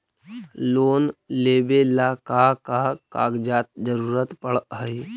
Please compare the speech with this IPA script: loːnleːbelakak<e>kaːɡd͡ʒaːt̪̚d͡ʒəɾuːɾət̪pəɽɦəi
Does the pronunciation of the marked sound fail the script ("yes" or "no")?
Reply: yes